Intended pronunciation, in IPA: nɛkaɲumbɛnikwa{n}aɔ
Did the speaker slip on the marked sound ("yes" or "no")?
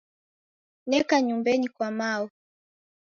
yes